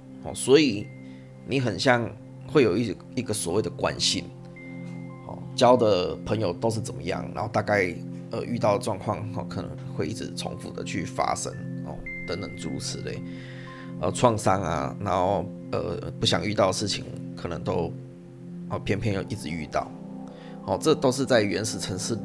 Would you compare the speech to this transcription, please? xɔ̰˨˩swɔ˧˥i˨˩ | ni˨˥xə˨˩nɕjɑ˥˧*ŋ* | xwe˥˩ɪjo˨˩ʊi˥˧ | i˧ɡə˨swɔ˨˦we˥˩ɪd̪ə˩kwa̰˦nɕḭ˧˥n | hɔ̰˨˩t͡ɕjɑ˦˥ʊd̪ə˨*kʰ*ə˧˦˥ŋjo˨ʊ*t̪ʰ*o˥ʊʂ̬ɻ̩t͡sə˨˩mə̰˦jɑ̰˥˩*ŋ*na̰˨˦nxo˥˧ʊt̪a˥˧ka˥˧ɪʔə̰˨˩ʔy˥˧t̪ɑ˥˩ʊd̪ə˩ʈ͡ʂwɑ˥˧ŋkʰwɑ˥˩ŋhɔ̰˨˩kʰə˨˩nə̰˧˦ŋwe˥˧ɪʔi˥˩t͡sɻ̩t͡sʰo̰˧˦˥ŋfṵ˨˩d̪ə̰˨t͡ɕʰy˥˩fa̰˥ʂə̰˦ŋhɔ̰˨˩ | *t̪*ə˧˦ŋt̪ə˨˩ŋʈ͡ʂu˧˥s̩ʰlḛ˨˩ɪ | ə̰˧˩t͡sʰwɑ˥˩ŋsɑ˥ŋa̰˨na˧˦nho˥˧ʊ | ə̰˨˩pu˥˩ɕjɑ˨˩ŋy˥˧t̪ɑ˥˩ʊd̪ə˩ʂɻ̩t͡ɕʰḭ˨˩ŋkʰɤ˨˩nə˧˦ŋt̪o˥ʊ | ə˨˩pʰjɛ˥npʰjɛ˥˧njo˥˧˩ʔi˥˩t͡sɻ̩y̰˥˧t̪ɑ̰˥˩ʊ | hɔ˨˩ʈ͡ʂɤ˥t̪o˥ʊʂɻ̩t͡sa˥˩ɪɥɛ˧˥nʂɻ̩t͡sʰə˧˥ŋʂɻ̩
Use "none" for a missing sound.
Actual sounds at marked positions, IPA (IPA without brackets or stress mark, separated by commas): ŋ, pʰ, t̪, ŋ, t̪